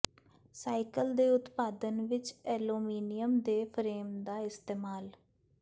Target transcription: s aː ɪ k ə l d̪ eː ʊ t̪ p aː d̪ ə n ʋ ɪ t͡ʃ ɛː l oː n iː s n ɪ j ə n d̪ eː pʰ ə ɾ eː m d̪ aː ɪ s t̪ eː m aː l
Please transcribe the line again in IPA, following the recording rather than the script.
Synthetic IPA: s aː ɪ k ə l d̪ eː ʊ t̪ p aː d̪ ə n ʋ ɪ t͡ʃ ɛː l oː m iː n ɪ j ə m d̪ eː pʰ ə ɾ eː m d̪ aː ɪ s t̪ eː m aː l

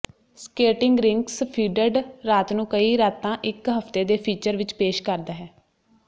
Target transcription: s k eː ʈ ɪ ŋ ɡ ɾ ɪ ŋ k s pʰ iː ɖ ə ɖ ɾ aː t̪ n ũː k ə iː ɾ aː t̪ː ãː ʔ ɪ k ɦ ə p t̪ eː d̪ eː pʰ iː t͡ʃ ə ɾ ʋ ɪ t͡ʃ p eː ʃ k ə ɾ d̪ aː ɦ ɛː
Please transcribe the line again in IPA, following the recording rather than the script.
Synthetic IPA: s k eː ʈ ɪ ŋ ɡ ɾ ɪ ŋ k s pʰ iː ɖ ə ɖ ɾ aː t̪ n ũː k ə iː ɾ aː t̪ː ãː ʔ ɪ k ɦ ə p t̪ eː d̪ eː pʰ iː t͡ʃ ə ɾ ʋ ɪ t͡ʃ p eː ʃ k ə ɾ d̪ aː ɦ ɛː

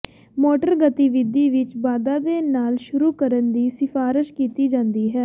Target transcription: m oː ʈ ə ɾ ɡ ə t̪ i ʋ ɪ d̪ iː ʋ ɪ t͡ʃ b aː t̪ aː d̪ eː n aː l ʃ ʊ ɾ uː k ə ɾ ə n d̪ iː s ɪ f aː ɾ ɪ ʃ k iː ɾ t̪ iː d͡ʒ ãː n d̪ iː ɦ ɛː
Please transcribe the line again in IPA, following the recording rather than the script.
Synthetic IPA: m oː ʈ ə ɾ ɡ ə t̪ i ʋ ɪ d̪ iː ʋ ɪ t͡ʃ b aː d̪ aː d̪ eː n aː l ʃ ʊ ɾ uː k ə ɾ ə n d̪ iː s ɪ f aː ɾ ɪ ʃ k iː t̪ iː d͡ʒ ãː n d̪ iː ɦ ɛː

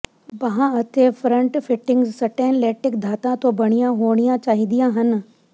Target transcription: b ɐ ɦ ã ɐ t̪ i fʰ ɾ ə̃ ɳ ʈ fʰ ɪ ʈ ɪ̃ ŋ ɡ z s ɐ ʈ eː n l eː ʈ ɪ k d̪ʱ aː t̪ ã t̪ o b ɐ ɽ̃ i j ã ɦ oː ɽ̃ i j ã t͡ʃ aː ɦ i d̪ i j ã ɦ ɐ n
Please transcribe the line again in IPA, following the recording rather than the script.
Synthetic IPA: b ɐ ɦ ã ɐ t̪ e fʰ ɾ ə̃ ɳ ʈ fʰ ɪ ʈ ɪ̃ ŋ ɡ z s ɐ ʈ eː n l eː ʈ ɪ k d̪ʱ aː t̪ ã t̪ o b ɐ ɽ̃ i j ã ɦ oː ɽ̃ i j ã t͡ʃ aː ɦ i d̪ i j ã ɦ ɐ n

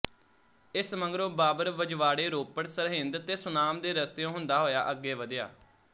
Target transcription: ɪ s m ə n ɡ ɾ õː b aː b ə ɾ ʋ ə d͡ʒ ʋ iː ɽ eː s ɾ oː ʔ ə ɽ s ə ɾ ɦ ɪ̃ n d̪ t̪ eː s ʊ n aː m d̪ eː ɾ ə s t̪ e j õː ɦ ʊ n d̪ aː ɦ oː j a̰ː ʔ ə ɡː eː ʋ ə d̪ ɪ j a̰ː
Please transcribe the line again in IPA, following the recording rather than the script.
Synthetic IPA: ɪ s m ə ŋ ɡ ɾ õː b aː b ə ɾ ʋ ə d͡ʒ ʋ aː ɽ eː ɾ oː p ə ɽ s ə ɾ ɦ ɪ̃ n d̪ t̪ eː s ʊ n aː m d̪ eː ɾ ə s t̪ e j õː ɦ ʊ n d̪ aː ɦ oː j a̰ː ʔ ə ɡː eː ʋ ə d̪ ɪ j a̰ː

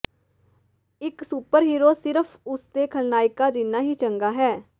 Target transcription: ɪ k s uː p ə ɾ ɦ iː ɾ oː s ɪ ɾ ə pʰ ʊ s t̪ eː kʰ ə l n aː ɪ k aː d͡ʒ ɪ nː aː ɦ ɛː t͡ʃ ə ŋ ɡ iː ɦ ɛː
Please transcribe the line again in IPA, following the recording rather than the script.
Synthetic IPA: ɪ k s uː p ə ɾ ɦ iː ɾ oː s ɪ ɾ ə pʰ ʊ s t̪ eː kʰ ə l n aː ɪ k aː d͡ʒ ɪ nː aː ɦ iː t͡ʃ ə ŋ ɡ aː ɦ ɛː

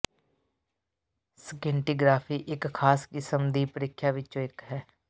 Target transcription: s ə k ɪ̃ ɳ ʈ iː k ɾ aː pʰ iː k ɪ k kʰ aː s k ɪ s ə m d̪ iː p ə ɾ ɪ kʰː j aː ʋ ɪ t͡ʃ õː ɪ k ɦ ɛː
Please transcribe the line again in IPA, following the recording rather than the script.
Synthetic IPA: s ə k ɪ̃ ɳ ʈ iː ɡ ɾ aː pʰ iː ʔ ɪ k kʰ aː s k ɪ s ə m d̪ iː p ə ɾ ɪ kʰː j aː ʋ ɪ t͡ʃ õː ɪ k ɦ ɛː

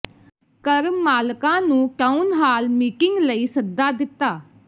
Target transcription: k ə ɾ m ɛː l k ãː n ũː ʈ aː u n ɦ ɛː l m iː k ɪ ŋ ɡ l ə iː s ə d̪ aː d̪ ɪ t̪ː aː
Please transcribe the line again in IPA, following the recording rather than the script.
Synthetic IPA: k ə ɾ m aː l k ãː n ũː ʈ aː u n ɦ aː l m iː k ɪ ŋ ɡ l ə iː s ə d̪ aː d̪ ɪ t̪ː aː

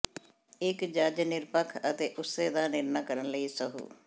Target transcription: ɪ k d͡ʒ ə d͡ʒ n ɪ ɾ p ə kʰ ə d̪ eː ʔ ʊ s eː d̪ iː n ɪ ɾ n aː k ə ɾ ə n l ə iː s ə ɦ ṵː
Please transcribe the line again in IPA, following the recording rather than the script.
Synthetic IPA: ɪ k d͡ʒ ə d͡ʒ n ɪ ɾ p ə kʰ ə t̪ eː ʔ ʊ s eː d̪ aː n ɪ ɾ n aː k ə ɾ ə n l ə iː s ə ɦ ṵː

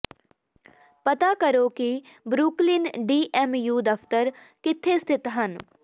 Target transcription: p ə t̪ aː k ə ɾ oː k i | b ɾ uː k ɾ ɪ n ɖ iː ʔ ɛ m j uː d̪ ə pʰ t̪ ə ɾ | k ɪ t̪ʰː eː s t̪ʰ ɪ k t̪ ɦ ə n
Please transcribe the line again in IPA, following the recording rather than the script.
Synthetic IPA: p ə t̪ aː k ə ɾ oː k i | b ɾ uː k l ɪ n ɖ iː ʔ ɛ m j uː d̪ ə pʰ t̪ ə ɾ | k ɪ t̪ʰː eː s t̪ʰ ɪ t̪ ɦ ə n

